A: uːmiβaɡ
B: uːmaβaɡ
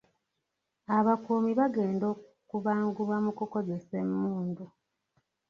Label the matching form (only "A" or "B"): A